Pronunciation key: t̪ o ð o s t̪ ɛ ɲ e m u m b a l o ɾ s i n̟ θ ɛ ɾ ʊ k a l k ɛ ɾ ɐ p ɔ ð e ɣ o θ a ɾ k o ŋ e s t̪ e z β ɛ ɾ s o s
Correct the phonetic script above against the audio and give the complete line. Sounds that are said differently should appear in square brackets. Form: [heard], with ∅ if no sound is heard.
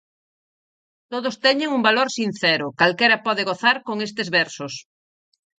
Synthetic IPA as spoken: t̪ o ð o s t̪ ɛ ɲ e [ŋ] u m b a l o ɾ s i n̟ θ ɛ ɾ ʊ k a l k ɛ ɾ ɐ p ɔ ð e ɣ o θ a ɾ k o ŋ e s t̪ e z β ɛ ɾ s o s